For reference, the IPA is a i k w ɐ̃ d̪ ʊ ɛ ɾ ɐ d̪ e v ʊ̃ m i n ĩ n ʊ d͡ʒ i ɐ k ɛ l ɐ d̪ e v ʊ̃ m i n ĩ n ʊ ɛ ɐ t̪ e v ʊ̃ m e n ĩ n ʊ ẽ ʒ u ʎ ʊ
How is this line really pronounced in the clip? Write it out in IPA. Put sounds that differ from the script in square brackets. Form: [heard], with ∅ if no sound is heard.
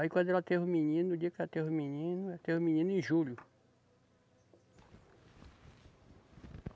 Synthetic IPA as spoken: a i k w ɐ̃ d̪ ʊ ɛ [l] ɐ [t̪] e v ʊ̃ m i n ĩ n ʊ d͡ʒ i ɐ k ɛ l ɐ [t̪] e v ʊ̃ m i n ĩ n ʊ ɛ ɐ t̪ e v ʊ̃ m [i] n ĩ n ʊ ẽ ʒ u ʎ ʊ